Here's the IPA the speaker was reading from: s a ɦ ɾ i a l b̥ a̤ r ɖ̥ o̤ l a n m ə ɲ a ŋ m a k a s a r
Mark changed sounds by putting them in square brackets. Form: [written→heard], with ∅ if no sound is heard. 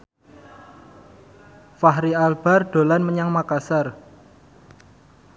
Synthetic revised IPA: [s→f] a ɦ ɾ i a l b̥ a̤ r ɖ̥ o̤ l a n m ə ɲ a ŋ m a k a s a r